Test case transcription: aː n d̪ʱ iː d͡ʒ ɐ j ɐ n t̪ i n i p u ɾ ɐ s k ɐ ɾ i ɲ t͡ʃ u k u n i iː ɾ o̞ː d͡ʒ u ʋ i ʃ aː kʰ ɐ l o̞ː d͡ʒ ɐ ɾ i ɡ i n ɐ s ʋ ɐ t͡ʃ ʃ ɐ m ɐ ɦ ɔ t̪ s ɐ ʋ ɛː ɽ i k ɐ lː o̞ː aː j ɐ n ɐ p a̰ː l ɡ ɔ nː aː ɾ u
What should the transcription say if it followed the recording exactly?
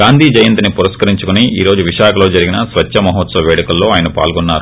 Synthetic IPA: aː n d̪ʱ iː d͡ʒ ɐ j ɐ n t̪ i n i p u ɾ ɐ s k ɐ ɾ i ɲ t͡ʃ u k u n i iː ɾ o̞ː d͡ʒ u ʋ i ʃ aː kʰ ɐ l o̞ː d͡ʒ ɐ ɾ i ɡ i n ɐ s ʋ ɐ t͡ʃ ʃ ɐ m ɐ ɦ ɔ t̪ s ɐ ʋ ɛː ɽ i k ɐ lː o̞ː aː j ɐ n ɐ p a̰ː l ɡ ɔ nː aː ɾ u